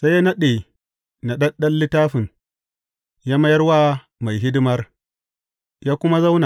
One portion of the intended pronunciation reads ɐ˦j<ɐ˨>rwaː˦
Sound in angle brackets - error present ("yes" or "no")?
yes